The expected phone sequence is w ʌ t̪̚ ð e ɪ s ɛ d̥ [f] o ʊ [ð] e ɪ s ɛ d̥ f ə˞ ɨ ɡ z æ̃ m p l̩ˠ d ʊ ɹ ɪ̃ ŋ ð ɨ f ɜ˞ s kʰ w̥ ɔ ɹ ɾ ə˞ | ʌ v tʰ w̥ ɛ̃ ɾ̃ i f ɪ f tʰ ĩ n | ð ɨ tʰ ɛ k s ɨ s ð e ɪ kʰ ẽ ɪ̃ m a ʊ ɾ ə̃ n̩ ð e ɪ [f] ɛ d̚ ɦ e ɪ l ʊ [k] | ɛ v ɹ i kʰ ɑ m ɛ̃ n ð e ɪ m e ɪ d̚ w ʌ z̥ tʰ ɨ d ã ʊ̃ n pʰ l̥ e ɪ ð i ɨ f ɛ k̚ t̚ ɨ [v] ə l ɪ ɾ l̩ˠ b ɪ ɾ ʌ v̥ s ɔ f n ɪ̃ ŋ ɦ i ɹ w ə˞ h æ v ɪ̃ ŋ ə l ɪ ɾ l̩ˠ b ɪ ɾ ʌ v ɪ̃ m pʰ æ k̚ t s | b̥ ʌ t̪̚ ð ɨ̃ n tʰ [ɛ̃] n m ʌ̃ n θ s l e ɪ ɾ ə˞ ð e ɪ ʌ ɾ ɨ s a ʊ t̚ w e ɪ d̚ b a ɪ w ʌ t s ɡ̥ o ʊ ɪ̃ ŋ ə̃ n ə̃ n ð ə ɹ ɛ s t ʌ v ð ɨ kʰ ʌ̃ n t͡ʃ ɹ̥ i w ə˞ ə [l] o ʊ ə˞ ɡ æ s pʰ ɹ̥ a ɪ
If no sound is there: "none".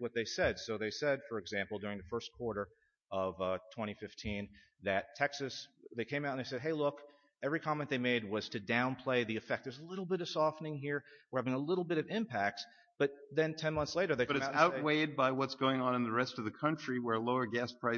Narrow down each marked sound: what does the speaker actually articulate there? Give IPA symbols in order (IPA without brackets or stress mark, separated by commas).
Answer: s, ð, s, k, z, ɛ̃, l